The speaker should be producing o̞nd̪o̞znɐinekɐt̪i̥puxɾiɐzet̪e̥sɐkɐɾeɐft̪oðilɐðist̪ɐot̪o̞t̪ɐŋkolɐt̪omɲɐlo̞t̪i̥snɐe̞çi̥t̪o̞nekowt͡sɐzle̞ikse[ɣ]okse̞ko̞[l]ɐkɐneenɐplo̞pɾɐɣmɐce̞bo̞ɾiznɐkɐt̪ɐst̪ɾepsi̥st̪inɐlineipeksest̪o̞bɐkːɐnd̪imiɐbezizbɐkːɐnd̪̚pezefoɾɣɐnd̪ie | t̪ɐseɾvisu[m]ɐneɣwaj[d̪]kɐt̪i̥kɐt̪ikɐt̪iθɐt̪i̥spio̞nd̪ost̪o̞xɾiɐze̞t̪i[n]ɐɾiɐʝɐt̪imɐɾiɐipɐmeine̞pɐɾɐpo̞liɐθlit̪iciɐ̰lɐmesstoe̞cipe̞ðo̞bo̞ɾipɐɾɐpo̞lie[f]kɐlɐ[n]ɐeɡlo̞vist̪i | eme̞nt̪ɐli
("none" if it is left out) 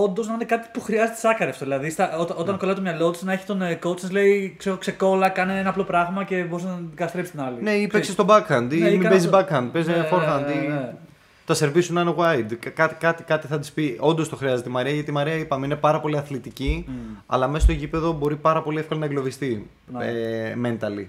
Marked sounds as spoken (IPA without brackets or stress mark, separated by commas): ɣ, l, n, d̪, m, f, n